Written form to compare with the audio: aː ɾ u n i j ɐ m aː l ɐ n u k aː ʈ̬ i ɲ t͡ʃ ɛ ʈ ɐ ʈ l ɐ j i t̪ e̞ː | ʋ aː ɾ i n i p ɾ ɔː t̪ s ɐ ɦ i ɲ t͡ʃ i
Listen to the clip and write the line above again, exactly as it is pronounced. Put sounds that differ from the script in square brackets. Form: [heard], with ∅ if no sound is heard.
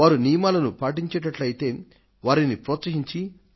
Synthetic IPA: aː ɾ u n i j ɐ m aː l ɐ n u [p] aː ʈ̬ i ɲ t͡ʃ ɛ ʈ ɐ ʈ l ɐ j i t̪ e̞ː | ʋ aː ɾ i n i p ɾ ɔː t̪ s ɐ ɦ i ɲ t͡ʃ i